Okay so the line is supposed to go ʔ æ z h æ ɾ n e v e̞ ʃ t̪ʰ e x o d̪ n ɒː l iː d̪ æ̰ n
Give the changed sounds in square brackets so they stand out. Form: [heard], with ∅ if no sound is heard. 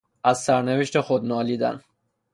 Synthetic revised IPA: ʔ æ z [s] æ ɾ n e v e̞ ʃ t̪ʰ e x o d̪ n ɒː l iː d̪ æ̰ n